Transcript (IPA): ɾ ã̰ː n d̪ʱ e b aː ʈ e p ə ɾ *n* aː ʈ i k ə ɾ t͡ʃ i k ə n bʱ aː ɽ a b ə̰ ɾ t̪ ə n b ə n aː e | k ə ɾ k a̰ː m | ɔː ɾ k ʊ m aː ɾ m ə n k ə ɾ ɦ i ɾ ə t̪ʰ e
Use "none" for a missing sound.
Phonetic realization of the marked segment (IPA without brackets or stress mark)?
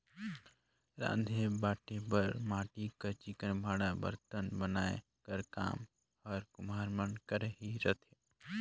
m